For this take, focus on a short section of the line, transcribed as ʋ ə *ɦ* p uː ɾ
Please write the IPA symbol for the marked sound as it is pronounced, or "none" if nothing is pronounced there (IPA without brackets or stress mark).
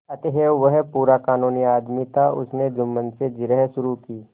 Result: ɦ